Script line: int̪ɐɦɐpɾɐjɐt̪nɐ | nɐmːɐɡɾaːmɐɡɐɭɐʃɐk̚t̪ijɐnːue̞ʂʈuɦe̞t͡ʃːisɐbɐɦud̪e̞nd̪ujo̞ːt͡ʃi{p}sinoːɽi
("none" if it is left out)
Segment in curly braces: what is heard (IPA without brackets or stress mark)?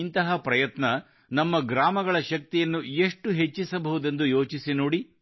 none